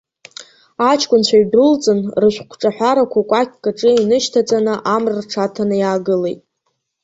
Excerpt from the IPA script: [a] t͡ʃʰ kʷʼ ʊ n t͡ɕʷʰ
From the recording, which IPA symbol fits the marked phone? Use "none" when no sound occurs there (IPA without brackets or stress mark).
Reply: a